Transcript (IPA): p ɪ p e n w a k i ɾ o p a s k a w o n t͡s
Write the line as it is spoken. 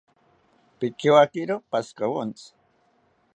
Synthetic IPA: p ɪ k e w a k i ɾ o p a s k a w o n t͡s